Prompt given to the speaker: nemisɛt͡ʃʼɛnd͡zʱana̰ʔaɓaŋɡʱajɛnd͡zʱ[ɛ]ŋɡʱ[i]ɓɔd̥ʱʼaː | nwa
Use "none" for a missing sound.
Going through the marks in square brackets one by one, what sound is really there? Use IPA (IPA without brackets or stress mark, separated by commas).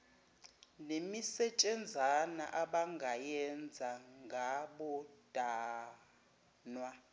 a, a